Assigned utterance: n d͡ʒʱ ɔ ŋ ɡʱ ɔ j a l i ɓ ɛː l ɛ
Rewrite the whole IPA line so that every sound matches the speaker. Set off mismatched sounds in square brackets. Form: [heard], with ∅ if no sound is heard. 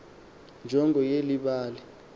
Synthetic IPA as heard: n d͡ʒʱ ɔ ŋ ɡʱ ɔ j [e] l i ɓ [aː] l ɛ